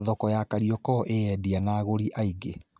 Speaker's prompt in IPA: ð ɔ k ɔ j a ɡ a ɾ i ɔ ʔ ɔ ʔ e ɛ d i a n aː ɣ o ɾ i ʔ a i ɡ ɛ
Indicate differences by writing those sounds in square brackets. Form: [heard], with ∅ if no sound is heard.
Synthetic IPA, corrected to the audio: ð ɔ k ɔ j a [k] a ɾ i ɔ [k] ɔ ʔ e ɛ d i a n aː ɣ o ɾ i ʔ a i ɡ [e]